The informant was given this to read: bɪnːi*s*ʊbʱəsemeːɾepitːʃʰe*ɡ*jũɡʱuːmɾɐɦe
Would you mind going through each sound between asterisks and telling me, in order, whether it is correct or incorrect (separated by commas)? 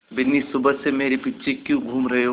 correct, incorrect